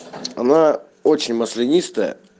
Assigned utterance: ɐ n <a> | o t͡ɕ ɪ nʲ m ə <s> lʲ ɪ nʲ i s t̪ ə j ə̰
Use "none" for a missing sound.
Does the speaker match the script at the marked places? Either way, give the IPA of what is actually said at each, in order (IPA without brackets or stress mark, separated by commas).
a, s